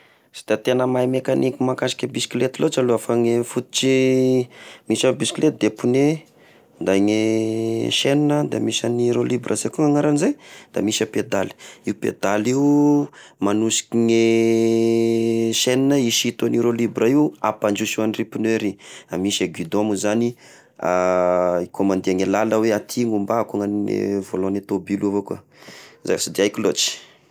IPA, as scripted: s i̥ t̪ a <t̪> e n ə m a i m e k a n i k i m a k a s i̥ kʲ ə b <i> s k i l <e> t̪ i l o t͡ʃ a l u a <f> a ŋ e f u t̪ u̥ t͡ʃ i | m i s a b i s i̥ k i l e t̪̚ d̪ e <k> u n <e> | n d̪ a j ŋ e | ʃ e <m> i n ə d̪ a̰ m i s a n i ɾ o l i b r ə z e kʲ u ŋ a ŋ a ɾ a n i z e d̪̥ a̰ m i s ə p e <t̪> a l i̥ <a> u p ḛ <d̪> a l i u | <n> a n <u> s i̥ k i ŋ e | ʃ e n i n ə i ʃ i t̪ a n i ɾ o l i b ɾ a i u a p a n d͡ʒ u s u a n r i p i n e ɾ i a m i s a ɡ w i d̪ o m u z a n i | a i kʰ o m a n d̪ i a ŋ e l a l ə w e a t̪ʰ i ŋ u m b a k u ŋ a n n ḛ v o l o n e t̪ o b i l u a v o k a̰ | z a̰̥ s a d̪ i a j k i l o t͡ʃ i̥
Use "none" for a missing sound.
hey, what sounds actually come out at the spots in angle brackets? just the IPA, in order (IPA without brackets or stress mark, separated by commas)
t̪, i, e, f, p, e, n, d̪, i, d̪, m, u